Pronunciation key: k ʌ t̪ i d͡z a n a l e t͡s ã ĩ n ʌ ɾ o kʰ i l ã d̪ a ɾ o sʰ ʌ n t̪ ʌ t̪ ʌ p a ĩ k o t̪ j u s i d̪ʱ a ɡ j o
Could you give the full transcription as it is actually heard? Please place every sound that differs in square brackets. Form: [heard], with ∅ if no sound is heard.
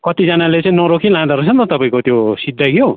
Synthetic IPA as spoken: k ʌ t̪ i d͡z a n a l e t͡s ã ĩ n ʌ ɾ o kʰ i l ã d̪ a ɾ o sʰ ʌ n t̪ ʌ t̪ ʌ p a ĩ k o t̪ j [o] s i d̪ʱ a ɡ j o